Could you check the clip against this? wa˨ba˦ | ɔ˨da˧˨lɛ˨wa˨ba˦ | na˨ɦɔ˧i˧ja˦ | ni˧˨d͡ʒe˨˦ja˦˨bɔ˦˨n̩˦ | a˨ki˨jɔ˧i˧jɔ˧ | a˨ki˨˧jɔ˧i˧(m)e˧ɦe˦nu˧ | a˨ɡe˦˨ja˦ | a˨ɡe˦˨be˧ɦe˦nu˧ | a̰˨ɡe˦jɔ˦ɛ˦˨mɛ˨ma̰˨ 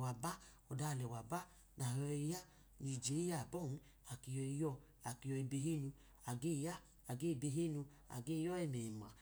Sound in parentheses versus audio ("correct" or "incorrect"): incorrect